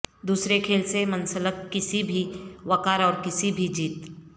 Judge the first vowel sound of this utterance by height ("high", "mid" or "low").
high